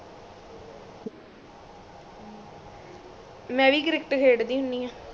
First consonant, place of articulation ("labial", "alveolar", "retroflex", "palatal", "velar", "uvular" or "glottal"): labial